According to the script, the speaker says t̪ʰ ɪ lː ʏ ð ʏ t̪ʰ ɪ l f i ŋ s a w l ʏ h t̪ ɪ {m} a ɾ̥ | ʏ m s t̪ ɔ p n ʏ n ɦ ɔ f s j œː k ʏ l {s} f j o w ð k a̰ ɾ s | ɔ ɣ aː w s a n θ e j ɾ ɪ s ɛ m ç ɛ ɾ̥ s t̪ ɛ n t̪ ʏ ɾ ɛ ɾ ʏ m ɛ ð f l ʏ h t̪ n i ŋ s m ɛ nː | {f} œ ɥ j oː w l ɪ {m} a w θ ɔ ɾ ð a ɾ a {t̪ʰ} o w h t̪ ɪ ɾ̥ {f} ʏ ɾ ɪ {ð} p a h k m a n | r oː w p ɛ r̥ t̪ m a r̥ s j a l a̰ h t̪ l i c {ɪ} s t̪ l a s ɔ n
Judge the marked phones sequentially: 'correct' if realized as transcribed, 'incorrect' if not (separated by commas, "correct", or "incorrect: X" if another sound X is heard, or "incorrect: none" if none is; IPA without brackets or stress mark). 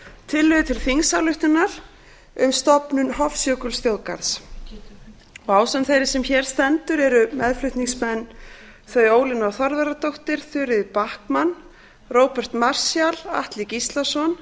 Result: incorrect: n, correct, incorrect: θ, incorrect: n, incorrect: t̪, incorrect: θ, correct, incorrect: i